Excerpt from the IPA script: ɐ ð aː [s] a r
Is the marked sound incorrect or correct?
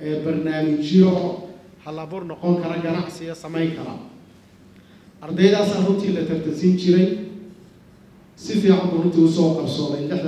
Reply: correct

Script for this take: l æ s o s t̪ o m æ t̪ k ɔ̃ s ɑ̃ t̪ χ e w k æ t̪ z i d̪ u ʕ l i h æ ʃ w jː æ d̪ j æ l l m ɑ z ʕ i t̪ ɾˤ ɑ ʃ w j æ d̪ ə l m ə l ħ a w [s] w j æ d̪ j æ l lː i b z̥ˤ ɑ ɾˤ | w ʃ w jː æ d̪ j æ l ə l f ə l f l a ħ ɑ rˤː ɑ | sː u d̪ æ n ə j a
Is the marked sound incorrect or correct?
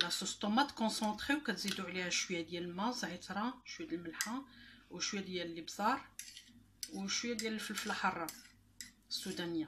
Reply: incorrect: ʃ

